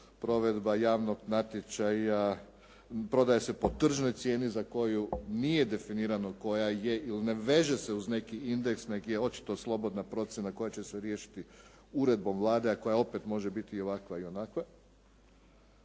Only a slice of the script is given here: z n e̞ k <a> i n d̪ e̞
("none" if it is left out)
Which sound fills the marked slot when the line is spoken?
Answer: i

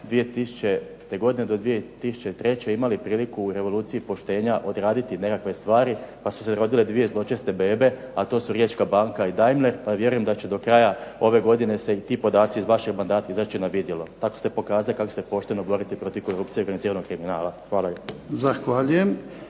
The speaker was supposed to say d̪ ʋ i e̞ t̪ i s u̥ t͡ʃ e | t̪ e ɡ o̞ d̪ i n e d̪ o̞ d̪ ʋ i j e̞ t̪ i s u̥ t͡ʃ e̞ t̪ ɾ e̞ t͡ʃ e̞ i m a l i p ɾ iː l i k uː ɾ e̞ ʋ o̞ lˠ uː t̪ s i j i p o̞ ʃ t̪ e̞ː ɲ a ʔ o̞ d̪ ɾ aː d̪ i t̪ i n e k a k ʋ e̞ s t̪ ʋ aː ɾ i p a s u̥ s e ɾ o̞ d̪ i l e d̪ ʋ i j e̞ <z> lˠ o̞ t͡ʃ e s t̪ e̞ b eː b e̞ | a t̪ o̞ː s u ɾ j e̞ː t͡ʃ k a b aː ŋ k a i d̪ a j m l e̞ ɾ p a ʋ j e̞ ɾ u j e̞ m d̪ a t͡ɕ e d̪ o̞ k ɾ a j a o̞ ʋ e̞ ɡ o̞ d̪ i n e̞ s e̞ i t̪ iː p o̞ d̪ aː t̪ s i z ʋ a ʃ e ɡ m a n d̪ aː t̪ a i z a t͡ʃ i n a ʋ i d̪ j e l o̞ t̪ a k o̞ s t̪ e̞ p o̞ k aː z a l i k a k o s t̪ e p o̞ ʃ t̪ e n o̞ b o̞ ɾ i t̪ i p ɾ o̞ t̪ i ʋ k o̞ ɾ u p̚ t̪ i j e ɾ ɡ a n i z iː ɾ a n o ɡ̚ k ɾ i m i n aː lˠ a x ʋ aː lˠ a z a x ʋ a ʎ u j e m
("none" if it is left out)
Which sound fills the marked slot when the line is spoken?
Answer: z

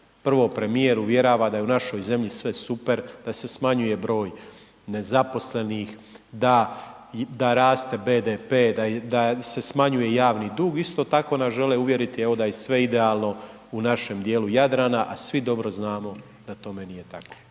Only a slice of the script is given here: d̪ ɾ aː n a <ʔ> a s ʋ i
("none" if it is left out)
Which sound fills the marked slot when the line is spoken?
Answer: ʔ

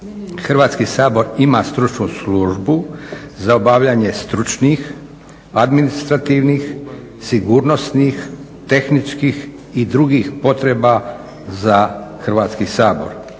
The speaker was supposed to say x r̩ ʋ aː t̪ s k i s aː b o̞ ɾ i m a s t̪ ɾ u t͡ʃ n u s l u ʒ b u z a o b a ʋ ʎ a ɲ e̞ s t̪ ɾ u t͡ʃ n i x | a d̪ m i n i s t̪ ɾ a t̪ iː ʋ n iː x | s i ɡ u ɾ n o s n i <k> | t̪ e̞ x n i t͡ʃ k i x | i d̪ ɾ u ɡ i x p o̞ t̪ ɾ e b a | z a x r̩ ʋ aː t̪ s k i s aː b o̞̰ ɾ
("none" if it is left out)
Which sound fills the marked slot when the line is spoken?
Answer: x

